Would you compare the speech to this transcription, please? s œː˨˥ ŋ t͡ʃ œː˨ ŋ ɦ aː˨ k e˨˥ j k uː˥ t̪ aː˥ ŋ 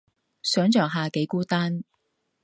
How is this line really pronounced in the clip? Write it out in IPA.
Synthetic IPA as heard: s œː˨˥ ŋ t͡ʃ œː˨ ŋ ɦ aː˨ k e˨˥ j k uː˥ t̪ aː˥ n